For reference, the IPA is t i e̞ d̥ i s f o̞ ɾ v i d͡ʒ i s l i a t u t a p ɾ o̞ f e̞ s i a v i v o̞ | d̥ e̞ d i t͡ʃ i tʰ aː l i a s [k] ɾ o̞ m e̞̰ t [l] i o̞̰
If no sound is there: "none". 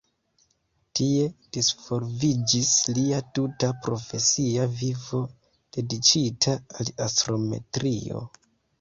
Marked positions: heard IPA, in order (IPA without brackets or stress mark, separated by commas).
t, ɾ